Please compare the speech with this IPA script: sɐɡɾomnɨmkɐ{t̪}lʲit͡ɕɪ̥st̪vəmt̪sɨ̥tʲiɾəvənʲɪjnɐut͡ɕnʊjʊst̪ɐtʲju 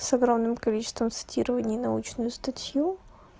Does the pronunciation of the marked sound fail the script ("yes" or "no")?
yes